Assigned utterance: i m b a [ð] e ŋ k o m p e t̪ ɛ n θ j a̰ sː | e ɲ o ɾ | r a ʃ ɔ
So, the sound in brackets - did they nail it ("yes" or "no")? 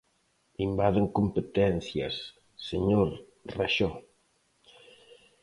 yes